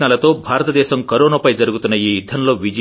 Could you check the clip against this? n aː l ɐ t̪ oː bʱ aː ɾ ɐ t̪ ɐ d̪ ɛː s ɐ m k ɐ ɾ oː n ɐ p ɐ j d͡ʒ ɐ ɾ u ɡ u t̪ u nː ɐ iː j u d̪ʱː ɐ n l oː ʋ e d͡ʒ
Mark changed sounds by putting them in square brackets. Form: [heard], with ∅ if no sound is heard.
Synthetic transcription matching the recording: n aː l ɐ t̪ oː bʱ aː ɾ ɐ t̪ ɐ d̪ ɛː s ɐ m k ɐ ɾ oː n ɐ p ɐ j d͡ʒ ɐ ɾ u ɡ u t̪ u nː ɐ iː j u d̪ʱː ɐ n l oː ʋ [i] d͡ʒ